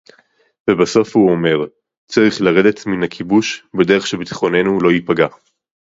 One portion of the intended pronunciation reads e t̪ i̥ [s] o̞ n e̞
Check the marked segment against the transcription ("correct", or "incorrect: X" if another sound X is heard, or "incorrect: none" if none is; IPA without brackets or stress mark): incorrect: χ